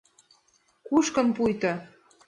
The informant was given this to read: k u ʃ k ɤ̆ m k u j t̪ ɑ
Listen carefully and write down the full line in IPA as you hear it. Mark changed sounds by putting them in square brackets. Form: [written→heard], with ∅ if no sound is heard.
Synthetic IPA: k u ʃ k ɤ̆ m [k→p] u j t̪ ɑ